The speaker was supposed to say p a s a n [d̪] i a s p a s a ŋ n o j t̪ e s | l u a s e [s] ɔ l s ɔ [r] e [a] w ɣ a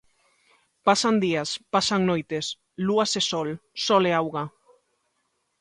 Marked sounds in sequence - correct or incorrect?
correct, correct, incorrect: l, correct

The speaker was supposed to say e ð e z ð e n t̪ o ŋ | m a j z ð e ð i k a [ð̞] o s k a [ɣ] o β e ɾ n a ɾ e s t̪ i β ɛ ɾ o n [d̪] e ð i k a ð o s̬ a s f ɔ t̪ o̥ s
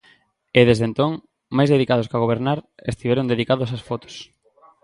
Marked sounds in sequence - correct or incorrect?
correct, correct, correct

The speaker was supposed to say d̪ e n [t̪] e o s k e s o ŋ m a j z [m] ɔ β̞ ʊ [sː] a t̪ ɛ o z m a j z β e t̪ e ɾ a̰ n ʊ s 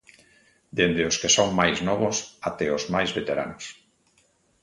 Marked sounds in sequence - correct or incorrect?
incorrect: d̪, incorrect: n, incorrect: s

